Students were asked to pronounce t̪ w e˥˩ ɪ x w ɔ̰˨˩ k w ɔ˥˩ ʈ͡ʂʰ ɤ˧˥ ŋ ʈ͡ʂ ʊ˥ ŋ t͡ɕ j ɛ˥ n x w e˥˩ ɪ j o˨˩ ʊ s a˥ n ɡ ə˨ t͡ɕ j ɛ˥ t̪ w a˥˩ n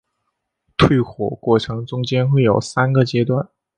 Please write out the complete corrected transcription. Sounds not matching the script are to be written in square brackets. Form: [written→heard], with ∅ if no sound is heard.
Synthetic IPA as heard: [t̪→t̪ʰ] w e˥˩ ɪ x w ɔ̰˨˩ k w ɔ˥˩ ʈ͡ʂʰ ɤ˧˥ ŋ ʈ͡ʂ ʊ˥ ŋ t͡ɕ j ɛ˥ n x w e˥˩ ɪ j o˨˩ ʊ s a˥ n ɡ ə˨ t͡ɕ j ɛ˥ t̪ w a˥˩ n